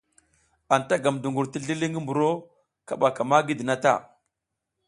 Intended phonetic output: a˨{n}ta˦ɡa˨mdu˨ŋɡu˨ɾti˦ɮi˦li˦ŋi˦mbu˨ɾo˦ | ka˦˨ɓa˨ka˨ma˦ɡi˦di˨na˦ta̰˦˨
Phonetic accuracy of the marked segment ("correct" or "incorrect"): correct